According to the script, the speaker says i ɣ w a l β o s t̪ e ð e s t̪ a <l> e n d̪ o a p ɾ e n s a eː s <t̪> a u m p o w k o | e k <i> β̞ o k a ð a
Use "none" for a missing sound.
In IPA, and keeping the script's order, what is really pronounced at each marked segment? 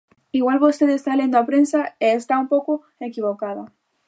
l, t̪, i

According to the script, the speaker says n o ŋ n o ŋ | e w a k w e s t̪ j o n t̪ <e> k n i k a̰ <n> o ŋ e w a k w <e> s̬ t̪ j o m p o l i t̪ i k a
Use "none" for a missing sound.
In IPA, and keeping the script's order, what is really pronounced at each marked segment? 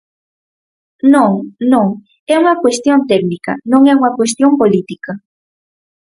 e, n, e

